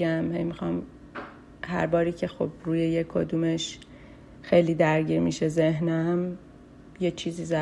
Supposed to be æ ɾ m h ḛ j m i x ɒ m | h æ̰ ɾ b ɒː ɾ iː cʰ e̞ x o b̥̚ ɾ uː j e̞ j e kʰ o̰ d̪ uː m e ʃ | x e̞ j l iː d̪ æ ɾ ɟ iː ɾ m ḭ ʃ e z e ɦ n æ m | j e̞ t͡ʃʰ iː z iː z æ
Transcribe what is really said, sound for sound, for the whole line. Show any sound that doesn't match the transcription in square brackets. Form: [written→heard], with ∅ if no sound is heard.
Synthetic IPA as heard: æ [ɾ→∅] m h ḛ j m i x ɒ m | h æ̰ ɾ b ɒː ɾ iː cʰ e̞ x o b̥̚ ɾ uː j e̞ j e kʰ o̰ d̪ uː m e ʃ | x e̞ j l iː d̪ æ ɾ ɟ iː ɾ m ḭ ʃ e z e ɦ n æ m | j e̞ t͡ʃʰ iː z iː z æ